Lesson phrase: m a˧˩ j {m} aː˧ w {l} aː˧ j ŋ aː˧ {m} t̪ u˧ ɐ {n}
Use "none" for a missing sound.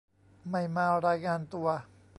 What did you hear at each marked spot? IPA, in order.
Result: m, ɾ, n, none

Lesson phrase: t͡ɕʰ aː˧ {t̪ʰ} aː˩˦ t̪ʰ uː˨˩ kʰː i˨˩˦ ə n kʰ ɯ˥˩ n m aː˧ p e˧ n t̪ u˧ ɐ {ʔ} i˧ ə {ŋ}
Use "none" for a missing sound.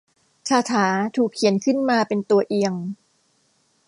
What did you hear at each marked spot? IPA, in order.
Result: t̪ʰ, ʔ, ŋ

